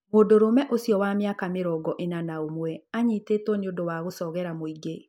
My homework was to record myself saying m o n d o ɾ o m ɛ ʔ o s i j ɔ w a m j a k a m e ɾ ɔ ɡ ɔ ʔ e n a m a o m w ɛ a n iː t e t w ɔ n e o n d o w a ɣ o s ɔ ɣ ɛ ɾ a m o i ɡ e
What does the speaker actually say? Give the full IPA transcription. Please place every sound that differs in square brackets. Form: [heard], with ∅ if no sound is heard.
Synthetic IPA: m o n d o ɾ o m ɛ ʔ o s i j ɔ w a m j a k a m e ɾ ɔ ɡ ɔ ʔ e n a [n] a o m w ɛ a [ɲ] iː t e t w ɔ n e o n d o w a ɣ o s ɔ ɣ ɛ ɾ a m o i ɡ e